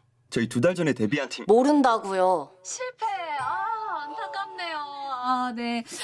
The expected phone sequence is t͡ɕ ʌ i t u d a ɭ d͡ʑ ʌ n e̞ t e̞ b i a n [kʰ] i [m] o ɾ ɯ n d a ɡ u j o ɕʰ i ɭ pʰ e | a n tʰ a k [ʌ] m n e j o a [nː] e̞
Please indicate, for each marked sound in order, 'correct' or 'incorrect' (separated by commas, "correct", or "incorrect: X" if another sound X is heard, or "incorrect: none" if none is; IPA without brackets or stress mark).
incorrect: tʰ, correct, incorrect: a, incorrect: n